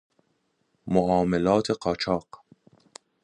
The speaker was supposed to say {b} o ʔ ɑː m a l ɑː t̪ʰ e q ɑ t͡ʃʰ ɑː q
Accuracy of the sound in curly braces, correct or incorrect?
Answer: incorrect